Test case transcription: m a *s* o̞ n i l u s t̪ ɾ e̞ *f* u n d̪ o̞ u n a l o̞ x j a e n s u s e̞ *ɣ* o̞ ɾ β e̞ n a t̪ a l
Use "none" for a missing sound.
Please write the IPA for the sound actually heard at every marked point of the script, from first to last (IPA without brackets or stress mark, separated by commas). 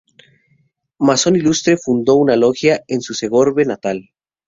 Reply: s, f, ɣ